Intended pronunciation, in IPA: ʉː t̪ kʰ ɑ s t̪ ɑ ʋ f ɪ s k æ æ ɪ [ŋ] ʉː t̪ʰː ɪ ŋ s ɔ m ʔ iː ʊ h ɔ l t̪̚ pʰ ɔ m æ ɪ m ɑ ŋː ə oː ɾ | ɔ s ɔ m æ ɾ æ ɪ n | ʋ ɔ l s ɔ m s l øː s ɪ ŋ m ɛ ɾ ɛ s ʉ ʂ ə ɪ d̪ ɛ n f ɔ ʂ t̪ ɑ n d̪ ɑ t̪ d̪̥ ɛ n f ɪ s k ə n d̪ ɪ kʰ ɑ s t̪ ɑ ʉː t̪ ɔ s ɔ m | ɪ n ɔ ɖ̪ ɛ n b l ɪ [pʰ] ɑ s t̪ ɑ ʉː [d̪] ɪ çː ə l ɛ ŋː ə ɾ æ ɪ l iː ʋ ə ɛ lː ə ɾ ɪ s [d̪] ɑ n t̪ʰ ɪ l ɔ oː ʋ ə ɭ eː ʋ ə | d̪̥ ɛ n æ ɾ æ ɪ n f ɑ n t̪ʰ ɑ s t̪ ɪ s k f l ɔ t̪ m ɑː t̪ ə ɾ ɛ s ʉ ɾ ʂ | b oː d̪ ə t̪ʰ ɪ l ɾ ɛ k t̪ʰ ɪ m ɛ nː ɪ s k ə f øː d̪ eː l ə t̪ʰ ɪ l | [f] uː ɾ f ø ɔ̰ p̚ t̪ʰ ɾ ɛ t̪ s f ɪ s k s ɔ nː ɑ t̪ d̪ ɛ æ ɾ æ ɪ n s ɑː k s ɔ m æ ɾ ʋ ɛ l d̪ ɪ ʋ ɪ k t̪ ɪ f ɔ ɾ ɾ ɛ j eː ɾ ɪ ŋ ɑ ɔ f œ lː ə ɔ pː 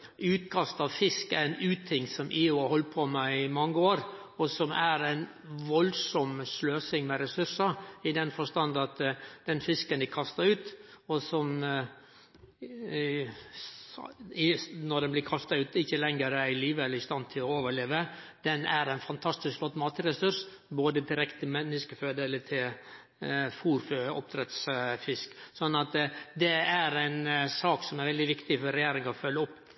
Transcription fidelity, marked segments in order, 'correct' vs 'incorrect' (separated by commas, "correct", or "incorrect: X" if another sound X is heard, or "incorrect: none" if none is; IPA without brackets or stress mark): incorrect: n, incorrect: kʰ, incorrect: t̪, incorrect: t̪, correct